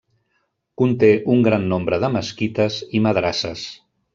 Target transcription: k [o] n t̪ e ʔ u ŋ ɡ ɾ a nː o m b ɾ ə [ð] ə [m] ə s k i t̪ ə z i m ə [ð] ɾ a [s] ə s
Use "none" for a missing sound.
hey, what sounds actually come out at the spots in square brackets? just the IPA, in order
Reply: u, ð, m, ð, s

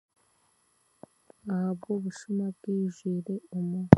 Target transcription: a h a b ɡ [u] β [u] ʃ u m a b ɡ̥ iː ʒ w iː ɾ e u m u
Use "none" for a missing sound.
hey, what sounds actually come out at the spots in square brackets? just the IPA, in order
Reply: o, u

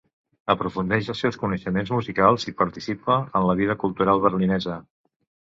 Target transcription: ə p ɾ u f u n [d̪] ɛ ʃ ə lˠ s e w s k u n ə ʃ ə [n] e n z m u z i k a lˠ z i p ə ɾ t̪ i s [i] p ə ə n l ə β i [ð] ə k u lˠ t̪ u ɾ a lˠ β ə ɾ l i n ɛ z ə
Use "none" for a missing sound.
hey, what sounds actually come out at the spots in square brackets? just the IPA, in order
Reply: d̪, m, i, ð

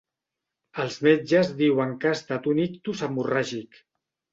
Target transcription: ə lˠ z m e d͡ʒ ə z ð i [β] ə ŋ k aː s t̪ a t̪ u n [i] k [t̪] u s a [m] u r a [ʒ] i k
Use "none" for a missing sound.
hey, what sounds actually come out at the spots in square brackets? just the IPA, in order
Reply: w, i, t̪, m, ʒ

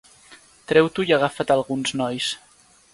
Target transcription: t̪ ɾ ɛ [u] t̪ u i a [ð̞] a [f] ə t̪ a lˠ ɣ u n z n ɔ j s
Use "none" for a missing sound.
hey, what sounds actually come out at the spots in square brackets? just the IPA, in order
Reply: w, ɣ̞, f

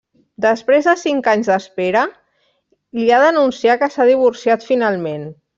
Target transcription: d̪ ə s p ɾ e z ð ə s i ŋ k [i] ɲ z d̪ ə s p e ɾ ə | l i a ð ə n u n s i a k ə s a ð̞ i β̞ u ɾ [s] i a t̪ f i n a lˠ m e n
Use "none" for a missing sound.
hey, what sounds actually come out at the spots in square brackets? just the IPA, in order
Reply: a, s

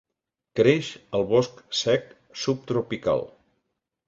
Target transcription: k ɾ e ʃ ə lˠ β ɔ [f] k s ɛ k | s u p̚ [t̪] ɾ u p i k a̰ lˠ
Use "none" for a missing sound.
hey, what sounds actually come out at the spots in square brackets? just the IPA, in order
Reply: s, t̪

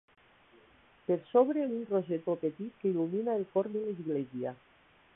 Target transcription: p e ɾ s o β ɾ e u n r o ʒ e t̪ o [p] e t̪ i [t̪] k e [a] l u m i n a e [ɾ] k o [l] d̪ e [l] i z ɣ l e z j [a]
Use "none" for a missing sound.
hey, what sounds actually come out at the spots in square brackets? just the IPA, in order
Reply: p, t̪, i, l, ɾ, l, a

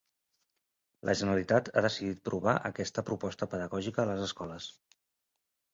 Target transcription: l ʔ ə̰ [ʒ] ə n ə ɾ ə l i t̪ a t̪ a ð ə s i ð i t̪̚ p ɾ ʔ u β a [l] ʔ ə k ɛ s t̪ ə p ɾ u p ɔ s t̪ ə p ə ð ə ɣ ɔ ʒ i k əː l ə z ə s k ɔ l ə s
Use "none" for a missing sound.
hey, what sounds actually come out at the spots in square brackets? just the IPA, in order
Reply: ʒ, none

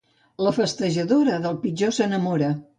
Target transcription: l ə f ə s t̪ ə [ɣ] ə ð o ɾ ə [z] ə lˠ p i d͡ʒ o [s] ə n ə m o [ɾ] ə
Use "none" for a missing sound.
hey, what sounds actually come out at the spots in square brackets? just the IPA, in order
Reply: ʒ, ð, s, ɾ

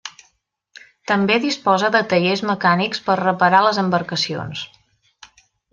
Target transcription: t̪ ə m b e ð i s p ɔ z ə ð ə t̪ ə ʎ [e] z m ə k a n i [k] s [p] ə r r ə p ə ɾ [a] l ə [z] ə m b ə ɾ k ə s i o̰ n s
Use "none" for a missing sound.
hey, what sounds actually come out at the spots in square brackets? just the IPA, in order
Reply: e, k, p, a, z

